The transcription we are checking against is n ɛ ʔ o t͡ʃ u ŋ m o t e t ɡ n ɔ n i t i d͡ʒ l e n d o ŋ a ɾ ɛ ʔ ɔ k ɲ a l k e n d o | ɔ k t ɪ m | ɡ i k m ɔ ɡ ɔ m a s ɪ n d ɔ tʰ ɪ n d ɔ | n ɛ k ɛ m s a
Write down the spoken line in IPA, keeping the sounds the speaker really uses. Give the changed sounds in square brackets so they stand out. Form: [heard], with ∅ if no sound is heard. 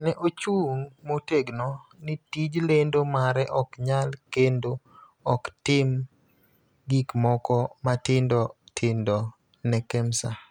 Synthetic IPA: n ɛ ʔ o t͡ʃ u ŋ m o t e [∅] ɡ n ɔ n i t i d͡ʒ l e n d o [m] a ɾ ɛ ʔ ɔ k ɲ a l k e n d o | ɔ k t ɪ m | ɡ i k m ɔ [k] ɔ m a [t] ɪ n d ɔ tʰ ɪ n d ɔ | n ɛ k ɛ m s a

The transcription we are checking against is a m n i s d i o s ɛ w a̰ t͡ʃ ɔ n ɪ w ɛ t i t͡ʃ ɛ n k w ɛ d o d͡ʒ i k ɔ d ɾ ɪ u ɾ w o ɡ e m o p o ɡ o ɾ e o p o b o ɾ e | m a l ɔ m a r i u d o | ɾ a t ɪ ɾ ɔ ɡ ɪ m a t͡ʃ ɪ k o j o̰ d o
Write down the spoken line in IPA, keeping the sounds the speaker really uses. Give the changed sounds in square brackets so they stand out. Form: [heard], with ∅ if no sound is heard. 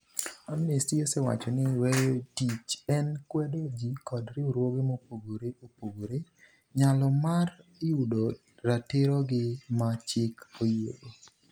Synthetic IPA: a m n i s [t] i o s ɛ w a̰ t͡ʃ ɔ n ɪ w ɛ t i t͡ʃ ɛ n k w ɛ d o d͡ʒ i k ɔ d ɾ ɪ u ɾ w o ɡ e m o p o ɡ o ɾ e o p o [ɡ] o ɾ e | [ɲ] a l ɔ m a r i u d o | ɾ a t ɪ ɾ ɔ ɡ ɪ m a t͡ʃ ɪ k o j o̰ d o

